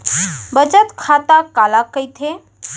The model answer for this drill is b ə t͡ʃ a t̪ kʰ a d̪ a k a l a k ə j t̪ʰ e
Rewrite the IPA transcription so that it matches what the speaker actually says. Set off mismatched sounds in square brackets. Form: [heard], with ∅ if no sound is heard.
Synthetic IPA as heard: b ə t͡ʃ [ə] t̪ kʰ a [t̪] a k a l a k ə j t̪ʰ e